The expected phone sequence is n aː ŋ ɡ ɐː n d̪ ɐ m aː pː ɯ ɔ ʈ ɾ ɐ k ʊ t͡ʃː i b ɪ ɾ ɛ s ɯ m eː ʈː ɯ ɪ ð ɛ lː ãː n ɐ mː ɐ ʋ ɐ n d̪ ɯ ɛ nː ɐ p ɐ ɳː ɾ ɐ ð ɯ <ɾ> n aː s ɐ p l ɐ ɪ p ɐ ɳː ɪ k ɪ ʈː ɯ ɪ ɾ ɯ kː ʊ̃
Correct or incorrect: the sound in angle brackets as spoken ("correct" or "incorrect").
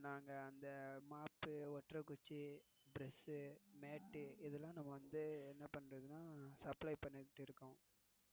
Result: incorrect